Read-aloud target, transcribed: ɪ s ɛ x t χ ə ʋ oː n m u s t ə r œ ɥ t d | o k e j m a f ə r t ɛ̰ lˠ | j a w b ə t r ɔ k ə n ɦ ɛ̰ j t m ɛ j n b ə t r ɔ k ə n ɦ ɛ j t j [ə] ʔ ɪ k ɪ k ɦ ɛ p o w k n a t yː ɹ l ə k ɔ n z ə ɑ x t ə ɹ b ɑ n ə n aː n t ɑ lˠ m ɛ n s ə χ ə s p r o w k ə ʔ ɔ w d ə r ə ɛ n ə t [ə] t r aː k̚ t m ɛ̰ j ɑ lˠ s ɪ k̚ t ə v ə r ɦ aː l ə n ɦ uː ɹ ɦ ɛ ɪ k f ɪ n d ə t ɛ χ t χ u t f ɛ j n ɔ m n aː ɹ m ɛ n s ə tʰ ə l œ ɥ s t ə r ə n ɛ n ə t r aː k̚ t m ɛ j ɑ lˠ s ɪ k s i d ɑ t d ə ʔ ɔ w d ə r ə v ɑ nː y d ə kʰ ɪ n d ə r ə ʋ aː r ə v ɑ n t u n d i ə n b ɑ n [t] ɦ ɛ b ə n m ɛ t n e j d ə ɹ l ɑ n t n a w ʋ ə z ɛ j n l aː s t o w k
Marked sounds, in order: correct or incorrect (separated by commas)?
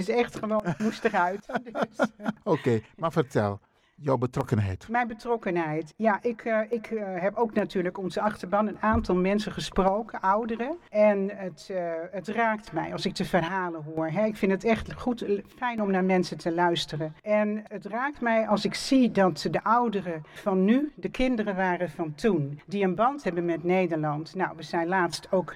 incorrect, correct, correct